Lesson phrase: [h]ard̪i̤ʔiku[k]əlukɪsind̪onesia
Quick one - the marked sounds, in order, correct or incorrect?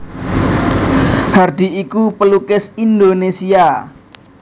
correct, incorrect: p

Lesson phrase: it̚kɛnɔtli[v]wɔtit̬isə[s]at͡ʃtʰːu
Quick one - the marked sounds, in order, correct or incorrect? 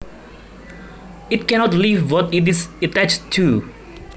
correct, incorrect: t

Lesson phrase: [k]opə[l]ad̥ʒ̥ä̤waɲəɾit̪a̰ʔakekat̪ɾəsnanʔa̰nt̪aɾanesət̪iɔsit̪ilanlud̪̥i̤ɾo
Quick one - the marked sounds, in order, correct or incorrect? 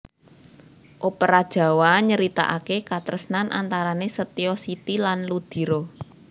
incorrect: ʔ, incorrect: ɾ

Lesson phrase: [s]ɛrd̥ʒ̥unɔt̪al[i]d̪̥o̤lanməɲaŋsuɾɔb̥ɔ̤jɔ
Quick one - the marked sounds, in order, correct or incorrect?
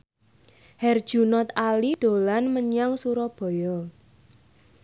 incorrect: h, correct

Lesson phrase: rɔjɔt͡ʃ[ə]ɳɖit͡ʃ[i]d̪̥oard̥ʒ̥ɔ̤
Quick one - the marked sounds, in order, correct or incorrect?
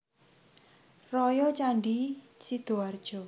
incorrect: a, correct

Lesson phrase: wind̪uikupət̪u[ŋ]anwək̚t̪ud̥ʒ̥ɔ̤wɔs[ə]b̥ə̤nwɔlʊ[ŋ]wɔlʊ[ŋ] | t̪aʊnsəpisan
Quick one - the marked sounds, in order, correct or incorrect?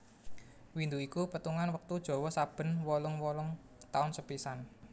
correct, incorrect: a, correct, correct

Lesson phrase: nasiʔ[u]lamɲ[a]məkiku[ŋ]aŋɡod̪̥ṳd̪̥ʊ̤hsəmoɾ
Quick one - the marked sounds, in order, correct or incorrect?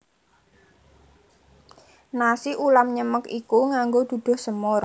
correct, incorrect: ə, correct

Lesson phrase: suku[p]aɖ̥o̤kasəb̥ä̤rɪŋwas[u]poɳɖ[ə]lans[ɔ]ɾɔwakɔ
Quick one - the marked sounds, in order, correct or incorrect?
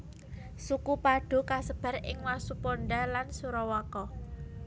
correct, correct, incorrect: a, incorrect: u

